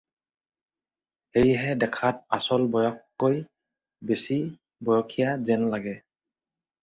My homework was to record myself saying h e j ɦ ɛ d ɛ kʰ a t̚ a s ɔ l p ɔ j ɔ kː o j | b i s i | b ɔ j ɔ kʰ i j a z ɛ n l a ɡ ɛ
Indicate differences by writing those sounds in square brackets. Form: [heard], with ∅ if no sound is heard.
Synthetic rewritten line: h e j ɦ ɛ d ɛ kʰ a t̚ a s ɔ l [b] ɔ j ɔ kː o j | b [e] s i | b ɔ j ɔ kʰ i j a z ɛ n l a ɡ ɛ